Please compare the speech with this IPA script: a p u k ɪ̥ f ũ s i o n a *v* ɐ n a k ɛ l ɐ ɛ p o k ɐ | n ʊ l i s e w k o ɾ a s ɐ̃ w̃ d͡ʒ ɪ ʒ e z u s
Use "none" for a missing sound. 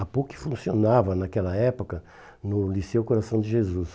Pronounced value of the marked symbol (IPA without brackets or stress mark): v